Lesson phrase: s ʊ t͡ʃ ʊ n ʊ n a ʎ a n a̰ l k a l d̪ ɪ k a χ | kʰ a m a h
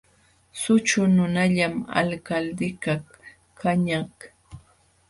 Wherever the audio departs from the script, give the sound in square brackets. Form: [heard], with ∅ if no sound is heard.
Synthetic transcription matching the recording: s ʊ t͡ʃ ʊ n ʊ n a ʎ a [m] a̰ l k a l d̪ ɪ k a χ | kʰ a [ɲ] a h